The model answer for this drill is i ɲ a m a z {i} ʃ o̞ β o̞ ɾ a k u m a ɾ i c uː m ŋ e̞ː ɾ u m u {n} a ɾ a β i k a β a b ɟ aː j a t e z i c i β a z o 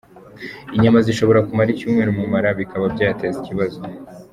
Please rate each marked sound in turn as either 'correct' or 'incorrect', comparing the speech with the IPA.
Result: correct, incorrect

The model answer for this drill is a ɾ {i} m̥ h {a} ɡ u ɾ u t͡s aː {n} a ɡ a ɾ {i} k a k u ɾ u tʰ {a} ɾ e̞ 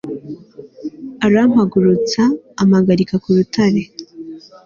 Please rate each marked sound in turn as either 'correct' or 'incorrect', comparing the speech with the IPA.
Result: incorrect, correct, incorrect, correct, correct

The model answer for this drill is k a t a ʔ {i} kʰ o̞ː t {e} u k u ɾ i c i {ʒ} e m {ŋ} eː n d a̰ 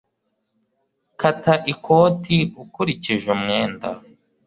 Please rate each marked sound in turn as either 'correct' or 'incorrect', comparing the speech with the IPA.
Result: correct, incorrect, correct, correct

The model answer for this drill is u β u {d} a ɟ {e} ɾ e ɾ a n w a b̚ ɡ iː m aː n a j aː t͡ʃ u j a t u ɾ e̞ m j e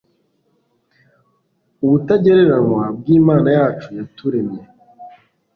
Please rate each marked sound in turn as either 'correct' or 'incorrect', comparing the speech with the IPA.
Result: incorrect, correct

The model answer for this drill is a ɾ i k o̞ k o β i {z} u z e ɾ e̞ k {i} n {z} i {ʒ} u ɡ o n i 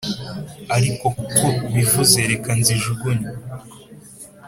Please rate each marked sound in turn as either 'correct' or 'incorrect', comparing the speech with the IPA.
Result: incorrect, incorrect, correct, correct

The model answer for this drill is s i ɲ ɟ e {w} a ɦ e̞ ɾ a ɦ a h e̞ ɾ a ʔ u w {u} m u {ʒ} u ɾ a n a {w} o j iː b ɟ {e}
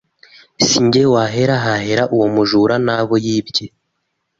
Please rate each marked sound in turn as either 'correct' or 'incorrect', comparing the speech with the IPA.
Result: correct, incorrect, correct, incorrect, correct

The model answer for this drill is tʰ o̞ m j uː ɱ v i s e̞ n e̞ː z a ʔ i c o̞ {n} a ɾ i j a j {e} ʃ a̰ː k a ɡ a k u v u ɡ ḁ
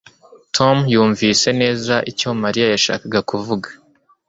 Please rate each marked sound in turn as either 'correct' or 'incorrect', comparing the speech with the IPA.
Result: incorrect, incorrect

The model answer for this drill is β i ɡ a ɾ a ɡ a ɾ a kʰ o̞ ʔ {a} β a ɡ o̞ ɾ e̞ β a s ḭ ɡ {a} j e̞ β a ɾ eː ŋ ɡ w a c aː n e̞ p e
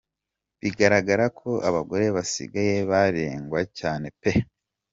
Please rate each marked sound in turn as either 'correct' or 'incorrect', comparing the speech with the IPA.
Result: correct, correct

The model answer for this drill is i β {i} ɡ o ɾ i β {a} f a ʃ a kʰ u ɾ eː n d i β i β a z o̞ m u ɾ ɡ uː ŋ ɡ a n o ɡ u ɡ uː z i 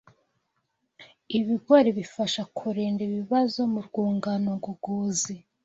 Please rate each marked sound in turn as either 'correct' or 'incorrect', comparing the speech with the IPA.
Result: correct, incorrect

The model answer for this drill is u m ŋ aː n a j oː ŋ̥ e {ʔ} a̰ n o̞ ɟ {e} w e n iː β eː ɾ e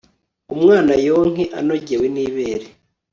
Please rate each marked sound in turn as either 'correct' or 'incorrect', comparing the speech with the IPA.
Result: correct, correct

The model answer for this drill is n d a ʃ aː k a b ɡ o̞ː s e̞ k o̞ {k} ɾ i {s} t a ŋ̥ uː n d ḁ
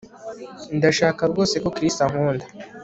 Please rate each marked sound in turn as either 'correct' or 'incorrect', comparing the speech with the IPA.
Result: correct, correct

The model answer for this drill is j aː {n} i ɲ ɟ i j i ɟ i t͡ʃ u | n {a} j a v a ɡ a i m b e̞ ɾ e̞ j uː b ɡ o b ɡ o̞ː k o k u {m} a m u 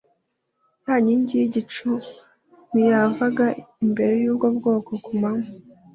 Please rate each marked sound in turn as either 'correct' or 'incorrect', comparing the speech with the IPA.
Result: incorrect, incorrect, correct

